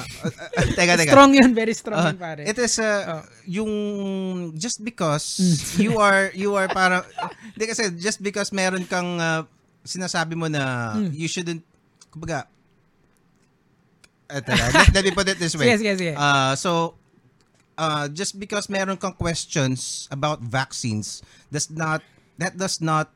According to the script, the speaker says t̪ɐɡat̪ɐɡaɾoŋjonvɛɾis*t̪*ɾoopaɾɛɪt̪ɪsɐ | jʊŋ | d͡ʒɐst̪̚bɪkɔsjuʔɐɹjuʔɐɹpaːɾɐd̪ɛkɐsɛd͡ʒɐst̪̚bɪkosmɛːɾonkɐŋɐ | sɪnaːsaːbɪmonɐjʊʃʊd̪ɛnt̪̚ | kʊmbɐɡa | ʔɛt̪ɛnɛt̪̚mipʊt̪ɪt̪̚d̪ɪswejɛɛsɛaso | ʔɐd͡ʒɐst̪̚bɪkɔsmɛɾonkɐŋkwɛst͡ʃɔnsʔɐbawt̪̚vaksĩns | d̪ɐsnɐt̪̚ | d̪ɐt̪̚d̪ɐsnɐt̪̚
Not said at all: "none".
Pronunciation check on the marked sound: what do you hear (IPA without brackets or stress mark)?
t̪